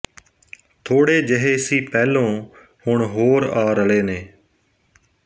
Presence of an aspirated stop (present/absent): present